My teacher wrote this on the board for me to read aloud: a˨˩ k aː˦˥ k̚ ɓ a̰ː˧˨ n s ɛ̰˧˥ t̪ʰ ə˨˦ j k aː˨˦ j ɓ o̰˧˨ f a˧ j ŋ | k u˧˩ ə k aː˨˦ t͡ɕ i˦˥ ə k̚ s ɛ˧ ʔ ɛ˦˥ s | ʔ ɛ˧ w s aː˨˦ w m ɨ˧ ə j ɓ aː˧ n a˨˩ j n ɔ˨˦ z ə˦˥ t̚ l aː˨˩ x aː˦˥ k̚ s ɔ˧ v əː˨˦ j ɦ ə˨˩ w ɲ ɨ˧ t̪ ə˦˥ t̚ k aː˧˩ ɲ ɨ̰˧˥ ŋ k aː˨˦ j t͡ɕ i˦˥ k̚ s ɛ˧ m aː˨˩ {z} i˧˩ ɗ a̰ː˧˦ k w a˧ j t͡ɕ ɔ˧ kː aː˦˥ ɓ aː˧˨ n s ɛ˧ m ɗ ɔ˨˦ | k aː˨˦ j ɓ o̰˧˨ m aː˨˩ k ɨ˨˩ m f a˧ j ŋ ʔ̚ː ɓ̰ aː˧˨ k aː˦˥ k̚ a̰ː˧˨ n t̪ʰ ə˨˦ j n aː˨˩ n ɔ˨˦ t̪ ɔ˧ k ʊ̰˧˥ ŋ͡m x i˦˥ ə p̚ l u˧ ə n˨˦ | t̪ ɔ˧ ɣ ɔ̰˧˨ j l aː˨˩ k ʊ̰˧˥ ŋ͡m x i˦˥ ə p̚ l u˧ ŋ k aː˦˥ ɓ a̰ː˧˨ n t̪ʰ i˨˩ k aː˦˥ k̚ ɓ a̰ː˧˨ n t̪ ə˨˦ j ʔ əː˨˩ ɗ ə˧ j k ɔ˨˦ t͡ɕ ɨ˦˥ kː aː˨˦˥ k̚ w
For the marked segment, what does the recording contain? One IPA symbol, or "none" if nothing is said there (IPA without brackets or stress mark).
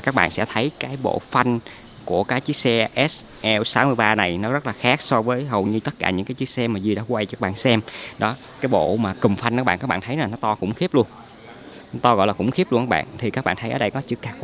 z